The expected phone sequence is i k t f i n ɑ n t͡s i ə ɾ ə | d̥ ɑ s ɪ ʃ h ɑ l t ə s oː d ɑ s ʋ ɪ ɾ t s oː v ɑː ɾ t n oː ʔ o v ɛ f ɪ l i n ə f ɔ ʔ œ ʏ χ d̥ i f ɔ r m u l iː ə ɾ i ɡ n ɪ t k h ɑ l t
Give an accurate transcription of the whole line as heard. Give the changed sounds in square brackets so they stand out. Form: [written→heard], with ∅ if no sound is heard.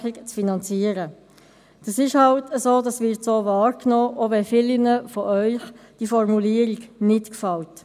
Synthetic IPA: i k [t→t͡s] f i n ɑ n t͡s i ə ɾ ə | d̥ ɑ s ɪ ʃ h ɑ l t ə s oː d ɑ s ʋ ɪ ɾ t s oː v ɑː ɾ [t→k] n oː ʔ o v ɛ f ɪ l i n ə f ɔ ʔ œ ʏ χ d̥ i f ɔ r m u l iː ə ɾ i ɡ n ɪ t k [h→f] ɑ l t